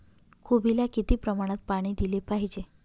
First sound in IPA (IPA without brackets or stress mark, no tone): kʰ